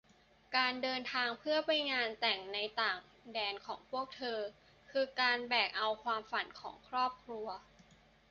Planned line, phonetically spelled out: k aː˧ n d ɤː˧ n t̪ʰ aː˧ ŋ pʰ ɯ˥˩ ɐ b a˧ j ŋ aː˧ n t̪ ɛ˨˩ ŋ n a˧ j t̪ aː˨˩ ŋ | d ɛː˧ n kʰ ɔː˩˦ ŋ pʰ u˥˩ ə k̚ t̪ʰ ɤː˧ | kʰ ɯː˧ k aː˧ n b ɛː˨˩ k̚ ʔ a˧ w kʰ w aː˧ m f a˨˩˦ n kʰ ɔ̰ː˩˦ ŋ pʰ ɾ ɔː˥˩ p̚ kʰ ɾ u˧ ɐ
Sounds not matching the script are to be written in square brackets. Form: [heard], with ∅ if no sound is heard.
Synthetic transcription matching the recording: k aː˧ n d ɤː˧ n t̪ʰ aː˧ ŋ pʰ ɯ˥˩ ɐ [p] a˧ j ŋ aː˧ n t̪ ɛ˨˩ ŋ n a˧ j t̪ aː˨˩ ŋ | d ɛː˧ n kʰ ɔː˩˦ ŋ pʰ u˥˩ ə k̚ t̪ʰ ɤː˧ | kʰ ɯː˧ k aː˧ n b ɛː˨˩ k̚ ʔ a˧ w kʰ w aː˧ m f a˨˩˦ n kʰ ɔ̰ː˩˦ ŋ [kʰ] ɾ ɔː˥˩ p̚ kʰ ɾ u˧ ɐ